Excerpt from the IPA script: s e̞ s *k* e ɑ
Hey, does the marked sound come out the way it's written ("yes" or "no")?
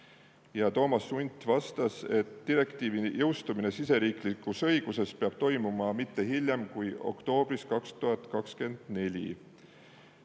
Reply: no